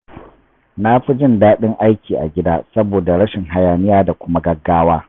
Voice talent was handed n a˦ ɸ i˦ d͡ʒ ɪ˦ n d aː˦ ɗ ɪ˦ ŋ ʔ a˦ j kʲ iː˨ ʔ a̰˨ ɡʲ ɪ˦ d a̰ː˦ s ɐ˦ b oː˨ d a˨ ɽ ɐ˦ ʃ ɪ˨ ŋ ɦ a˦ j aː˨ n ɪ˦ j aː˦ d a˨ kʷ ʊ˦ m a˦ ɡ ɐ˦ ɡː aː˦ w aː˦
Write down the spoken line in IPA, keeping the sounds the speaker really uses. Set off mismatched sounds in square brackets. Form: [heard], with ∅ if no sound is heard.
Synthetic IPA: n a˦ ɸ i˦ d͡ʒ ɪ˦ n d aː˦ ɗ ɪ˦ ŋ ʔ a˦ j kʲ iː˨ ʔ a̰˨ ɡʲ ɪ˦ d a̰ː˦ s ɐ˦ b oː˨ d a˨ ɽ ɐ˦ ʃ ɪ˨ ŋ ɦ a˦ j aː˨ n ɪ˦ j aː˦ d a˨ kʷ ʊ˦ m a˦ ɡ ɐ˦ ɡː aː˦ w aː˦